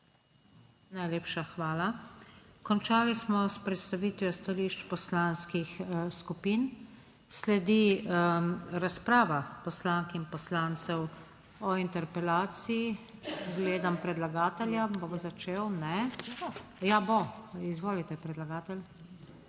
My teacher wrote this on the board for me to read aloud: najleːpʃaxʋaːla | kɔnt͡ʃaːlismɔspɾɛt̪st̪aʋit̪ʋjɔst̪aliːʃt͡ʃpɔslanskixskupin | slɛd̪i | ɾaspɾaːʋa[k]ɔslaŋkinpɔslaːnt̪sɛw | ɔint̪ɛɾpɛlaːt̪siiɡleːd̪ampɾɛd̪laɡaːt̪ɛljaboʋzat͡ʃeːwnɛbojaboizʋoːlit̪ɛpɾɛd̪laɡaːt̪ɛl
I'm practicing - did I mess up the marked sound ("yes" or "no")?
yes